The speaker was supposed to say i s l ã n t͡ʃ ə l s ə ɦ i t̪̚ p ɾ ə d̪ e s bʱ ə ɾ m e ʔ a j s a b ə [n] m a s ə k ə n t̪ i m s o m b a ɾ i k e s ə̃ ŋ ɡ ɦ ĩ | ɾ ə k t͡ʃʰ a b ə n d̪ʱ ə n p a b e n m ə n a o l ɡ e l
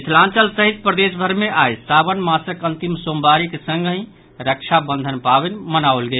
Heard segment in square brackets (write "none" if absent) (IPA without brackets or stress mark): n